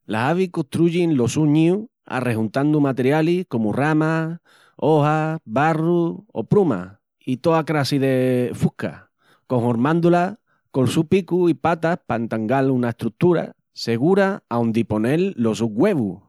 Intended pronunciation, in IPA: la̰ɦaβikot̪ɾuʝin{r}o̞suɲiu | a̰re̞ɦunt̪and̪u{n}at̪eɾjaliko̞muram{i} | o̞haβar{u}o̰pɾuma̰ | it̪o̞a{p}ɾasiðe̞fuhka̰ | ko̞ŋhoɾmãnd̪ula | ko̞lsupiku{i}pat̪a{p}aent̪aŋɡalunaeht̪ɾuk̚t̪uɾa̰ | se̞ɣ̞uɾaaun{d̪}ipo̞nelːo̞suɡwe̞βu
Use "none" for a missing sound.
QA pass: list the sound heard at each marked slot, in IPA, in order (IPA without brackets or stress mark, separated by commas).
l, m, a, u, k, i, p, d̪